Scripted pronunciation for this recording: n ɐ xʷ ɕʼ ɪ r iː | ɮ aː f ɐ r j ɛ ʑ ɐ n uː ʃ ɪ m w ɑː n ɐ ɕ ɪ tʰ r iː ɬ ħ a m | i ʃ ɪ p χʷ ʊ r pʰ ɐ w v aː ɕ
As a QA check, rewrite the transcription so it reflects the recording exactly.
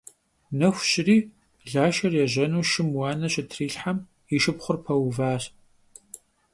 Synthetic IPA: n ɐ xʷ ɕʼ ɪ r iː | ɮ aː ʃ ɐ r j ɛ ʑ ɐ n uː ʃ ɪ m w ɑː n ɐ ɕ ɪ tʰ r iː ɬ ħ a m | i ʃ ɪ p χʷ ʊ r pʰ ɐ w v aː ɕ